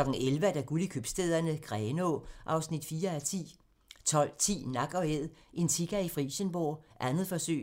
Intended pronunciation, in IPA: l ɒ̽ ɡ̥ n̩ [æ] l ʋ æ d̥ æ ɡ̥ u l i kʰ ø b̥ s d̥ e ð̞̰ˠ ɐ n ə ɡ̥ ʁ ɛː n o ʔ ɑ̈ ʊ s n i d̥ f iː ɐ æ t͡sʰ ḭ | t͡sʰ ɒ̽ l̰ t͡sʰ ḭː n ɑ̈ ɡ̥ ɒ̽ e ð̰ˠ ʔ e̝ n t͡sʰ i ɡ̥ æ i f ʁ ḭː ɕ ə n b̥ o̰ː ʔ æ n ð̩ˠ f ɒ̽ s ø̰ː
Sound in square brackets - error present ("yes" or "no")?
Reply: yes